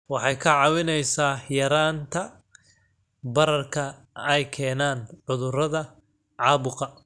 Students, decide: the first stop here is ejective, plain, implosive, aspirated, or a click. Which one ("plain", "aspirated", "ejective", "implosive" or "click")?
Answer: aspirated